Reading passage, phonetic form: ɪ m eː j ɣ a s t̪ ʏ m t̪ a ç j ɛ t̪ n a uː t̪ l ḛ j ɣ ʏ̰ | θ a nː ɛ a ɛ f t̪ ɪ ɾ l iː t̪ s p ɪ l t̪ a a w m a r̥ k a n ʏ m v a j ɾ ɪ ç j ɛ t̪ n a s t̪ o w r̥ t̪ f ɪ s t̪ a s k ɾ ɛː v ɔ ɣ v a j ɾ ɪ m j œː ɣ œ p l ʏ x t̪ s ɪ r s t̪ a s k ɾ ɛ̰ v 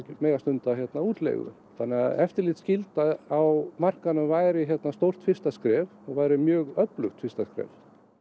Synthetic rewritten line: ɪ m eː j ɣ a s t̪ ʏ n t̪ a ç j ɛ t̪ n a uː t̪ l ḛ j ɣ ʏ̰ | θ a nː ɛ a ɛ f t̪ ɪ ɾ l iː t̪ s c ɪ l t̪ a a w m a r̥ k a n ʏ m v a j ɾ ɪ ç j ɛ t̪ n a s t̪ o w r̥ t̪ f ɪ s t̪ a s k ɾ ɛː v ɔ ɣ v a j ɾ ɪ m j œː ɣ œ p l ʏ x t̪ f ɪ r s t̪ a s k ɾ ɛ̰ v